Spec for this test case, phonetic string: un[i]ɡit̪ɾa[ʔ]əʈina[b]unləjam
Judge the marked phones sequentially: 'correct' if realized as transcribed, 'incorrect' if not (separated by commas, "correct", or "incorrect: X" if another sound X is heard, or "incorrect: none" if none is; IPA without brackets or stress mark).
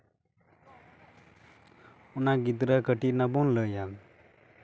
incorrect: a, incorrect: k, correct